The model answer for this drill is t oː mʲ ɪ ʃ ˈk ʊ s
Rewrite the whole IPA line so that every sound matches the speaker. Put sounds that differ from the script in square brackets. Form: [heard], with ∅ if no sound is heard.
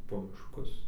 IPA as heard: [p] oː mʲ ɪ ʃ ˈk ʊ s